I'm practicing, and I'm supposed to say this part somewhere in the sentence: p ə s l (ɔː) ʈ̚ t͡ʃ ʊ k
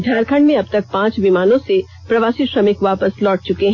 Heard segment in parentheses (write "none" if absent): ɔː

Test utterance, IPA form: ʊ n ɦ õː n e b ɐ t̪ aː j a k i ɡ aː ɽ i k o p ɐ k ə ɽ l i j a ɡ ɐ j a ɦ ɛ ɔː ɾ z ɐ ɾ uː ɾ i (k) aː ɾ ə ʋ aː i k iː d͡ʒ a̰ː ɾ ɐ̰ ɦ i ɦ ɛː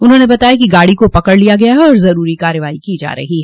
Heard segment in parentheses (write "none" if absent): k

